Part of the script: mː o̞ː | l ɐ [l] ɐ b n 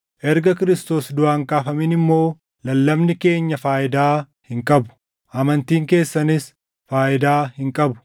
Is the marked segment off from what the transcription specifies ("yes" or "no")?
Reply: yes